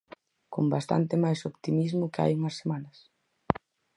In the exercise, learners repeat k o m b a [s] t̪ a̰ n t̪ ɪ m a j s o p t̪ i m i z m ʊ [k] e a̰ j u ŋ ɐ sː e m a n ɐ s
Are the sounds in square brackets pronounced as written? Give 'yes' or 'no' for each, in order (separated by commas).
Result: yes, yes